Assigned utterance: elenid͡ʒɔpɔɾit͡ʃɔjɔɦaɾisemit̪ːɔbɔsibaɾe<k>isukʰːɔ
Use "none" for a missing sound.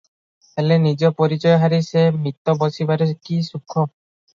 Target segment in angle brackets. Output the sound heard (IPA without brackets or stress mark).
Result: k